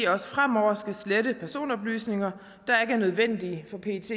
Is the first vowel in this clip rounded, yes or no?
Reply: yes